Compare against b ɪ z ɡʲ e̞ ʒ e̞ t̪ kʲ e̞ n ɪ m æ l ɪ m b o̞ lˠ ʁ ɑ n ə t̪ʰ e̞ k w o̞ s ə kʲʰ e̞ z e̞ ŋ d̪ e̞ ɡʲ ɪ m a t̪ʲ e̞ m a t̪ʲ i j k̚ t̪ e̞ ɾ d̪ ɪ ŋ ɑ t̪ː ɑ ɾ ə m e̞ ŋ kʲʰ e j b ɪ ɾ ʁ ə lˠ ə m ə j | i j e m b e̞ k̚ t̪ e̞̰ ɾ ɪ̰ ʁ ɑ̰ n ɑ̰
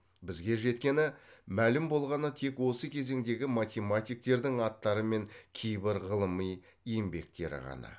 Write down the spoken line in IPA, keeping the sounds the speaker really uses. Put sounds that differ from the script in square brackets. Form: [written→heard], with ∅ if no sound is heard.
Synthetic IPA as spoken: b ɪ z ɡʲ e̞ ʒ e̞ t̪ kʲ e̞ n ɪ m æ l ɪ m b o̞ lˠ ʁ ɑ n ə t̪ʰ e̞ k w o̞ s ə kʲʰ e̞ z e̞ ŋ d̪ e̞ ɡʲ ɪ m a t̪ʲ e̞ m a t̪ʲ i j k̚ t̪ e̞ ɾ d̪ ɪ ŋ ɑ t̪ː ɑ ɾ ə m e̞ ŋ kʲʰ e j b ɪ ɾ ʁ ə lˠ ə m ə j | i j e m b e̞ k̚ t̪ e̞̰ ɾ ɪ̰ ʁ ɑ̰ n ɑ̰

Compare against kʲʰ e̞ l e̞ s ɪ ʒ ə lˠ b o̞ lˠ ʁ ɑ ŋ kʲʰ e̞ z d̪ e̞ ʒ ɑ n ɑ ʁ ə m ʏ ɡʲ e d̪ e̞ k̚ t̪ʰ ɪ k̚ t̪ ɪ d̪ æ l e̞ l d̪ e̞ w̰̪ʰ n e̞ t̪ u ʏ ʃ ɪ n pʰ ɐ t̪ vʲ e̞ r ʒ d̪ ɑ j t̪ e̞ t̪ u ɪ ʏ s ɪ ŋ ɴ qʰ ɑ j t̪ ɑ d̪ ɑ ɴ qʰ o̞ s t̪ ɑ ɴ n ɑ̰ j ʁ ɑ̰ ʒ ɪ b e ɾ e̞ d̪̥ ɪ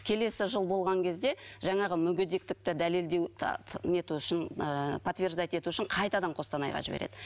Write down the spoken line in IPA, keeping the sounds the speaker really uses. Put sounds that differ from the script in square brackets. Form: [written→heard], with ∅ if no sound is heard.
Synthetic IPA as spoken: kʲʰ e̞ l e̞ s ɪ ʒ ə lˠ b o̞ lˠ ʁ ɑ ŋ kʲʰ e̞ z d̪ e̞ ʒ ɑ [n→ɴ] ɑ ʁ ə m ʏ ɡʲ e d̪ e̞ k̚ [t̪ʰ→t̪] ɪ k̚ t̪ ɪ d̪ æ l e̞ l d̪ e̞ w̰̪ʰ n e̞ t̪ u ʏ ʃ ɪ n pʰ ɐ t̪ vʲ e̞ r ʒ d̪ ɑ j t̪ e̞ t̪ u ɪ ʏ [s→ʃ] ɪ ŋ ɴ qʰ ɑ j t̪ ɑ d̪ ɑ ɴ qʰ o̞ s t̪ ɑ [ɴ→∅] n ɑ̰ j ʁ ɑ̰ ʒ ɪ b e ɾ e̞ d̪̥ ɪ

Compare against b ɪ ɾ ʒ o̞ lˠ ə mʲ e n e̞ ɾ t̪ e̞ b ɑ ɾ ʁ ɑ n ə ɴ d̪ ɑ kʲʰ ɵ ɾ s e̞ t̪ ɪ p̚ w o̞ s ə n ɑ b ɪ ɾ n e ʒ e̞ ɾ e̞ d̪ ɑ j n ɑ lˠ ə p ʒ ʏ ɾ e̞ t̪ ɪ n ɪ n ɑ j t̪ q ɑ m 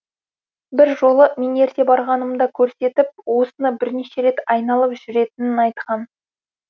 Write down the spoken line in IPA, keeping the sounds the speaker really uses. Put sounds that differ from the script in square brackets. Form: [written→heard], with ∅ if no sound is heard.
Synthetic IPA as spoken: b ɪ ɾ ʒ o̞ lˠ ə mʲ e n e̞ ɾ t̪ e̞ b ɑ ɾ ʁ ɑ n ə [ɴ→m] d̪ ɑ kʲʰ ɵ ɾ s e̞ t̪ ɪ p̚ w o̞ s ə n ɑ b ɪ ɾ n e [ʒ→ʃ] e̞ ɾ e̞ [d̪→t̪] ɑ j n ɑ lˠ ə p ʒ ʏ ɾ e̞ t̪ ɪ n ɪ n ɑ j t̪ q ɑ [m→n]

